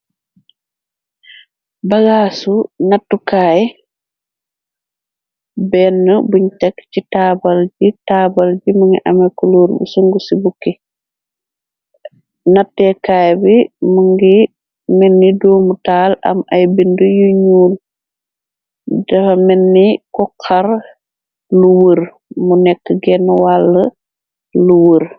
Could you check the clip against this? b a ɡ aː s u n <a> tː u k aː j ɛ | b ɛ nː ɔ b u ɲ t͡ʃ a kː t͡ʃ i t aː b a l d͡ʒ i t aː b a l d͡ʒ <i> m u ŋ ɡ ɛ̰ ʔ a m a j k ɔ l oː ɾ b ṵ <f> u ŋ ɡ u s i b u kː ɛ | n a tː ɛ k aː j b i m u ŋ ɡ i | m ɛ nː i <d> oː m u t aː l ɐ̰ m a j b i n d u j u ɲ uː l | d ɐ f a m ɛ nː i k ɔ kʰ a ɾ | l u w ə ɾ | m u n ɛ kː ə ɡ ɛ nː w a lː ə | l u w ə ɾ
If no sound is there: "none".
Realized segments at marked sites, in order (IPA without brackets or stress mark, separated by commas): a, i, s, d